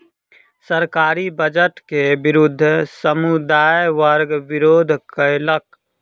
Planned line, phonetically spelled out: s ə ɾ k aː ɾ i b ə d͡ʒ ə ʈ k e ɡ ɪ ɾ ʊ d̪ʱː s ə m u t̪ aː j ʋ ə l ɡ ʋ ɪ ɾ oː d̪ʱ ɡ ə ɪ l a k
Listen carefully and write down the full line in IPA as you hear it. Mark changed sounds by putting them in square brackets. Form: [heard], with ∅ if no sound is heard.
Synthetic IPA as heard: s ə ɾ k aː ɾ i b ə d͡ʒ ə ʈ k e [b] ɪ ɾ ʊ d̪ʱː s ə m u [d̪] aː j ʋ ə [ɾ] ɡ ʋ ɪ ɾ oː d̪ʱ [k] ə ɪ l [ə] k